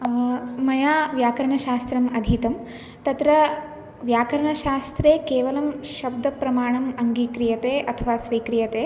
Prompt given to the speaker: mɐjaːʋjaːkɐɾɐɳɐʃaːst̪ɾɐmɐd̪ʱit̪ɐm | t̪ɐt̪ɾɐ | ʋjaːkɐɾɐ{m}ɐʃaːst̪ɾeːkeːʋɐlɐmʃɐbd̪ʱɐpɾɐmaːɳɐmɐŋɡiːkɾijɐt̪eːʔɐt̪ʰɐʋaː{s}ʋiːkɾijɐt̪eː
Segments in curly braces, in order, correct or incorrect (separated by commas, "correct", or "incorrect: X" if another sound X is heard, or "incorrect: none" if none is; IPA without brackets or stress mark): incorrect: ɳ, correct